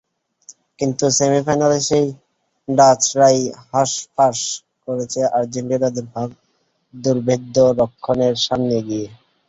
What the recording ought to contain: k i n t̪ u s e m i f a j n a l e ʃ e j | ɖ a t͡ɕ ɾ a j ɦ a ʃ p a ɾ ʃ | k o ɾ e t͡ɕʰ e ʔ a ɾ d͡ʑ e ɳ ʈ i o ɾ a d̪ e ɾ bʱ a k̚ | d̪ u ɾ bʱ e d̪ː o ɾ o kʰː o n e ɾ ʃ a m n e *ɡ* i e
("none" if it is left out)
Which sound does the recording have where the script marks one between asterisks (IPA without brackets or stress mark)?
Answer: ɡ